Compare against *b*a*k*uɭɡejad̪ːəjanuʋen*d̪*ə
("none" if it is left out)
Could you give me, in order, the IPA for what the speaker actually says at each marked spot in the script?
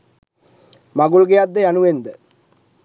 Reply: m, ɡ, d̪

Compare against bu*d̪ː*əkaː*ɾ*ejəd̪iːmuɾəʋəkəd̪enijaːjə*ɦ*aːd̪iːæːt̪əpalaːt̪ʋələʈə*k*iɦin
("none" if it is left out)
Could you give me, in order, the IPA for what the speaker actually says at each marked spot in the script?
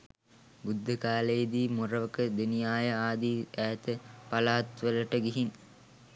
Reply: d̪ː, l, none, ɡ

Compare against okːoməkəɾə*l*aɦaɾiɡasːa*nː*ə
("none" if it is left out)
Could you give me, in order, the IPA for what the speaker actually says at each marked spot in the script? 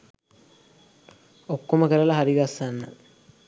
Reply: l, nː

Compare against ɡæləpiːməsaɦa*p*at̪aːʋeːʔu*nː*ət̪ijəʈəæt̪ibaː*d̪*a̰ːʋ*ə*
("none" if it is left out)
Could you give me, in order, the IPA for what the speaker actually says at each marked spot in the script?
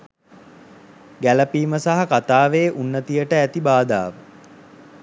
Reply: k, nː, d̪, ə

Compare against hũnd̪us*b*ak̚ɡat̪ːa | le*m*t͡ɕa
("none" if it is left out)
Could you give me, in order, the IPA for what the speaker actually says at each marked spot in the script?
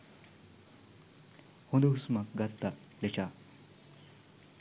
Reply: m, none

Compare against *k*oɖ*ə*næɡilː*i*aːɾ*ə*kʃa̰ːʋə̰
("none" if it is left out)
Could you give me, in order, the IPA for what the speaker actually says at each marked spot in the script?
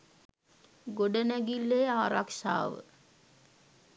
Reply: ɡ, ə, e, a

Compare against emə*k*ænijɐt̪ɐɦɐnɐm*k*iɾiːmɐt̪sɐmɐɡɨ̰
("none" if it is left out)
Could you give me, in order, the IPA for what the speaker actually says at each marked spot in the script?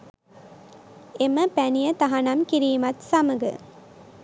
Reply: p, k

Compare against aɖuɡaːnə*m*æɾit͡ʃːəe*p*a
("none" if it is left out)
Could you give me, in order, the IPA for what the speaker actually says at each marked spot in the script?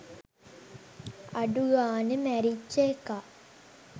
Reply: m, k

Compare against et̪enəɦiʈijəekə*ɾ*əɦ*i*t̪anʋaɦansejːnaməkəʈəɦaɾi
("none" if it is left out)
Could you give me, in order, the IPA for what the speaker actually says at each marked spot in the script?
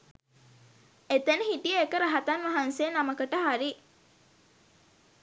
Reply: ɾ, a

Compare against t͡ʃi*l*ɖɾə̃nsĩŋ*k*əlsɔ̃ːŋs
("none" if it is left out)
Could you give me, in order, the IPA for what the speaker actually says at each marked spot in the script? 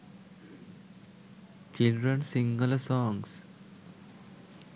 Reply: l, ɡ

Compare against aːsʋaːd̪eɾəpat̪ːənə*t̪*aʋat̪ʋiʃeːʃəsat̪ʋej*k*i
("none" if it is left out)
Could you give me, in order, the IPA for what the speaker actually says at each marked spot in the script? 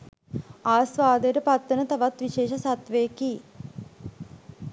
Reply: t̪, k

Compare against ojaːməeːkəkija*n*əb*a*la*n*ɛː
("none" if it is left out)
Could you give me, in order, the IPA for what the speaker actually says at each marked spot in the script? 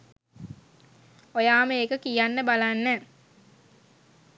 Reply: nː, a, nː

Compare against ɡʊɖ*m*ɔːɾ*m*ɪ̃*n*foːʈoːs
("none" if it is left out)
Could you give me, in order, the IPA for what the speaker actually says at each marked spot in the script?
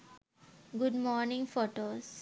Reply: m, n, ŋ

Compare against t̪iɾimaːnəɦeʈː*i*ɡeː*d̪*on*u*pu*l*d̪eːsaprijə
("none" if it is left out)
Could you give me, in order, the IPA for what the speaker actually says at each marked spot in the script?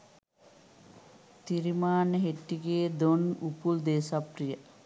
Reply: i, d̪, u, l

